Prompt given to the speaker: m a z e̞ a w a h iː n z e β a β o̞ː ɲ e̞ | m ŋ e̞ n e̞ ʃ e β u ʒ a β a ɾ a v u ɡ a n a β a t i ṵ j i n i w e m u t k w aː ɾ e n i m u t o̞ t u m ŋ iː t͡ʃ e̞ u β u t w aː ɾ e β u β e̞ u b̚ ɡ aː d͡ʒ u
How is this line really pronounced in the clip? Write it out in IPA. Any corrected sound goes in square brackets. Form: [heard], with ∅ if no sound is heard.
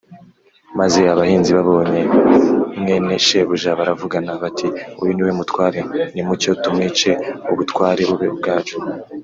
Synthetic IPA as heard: m a z e̞ a [β] a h iː n z [i] β a β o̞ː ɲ e̞ | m ŋ e̞ n e̞ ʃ e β u ʒ a β a ɾ a v u ɡ a n a β a t i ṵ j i n i w e m u t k w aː ɾ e n i m u [c] o̞ t u m ŋ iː t͡ʃ e̞ u β u t w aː ɾ e β u β e̞ u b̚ ɡ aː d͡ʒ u